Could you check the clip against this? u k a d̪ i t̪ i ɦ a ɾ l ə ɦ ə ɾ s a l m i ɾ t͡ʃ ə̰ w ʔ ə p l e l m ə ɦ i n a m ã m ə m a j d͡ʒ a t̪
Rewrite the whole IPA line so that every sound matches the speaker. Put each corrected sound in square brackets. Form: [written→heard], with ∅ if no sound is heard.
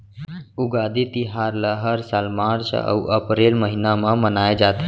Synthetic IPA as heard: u [k→ɡ] a d̪ i t̪ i ɦ a ɾ l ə ɦ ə ɾ s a l m [i→a] ɾ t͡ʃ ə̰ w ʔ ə p [l→ɾ] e l m ə ɦ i n a m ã m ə [m→n] a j d͡ʒ a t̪